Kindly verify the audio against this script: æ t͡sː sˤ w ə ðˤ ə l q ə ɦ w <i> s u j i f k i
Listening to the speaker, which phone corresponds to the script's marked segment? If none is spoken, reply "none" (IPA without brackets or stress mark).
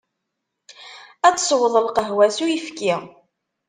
æ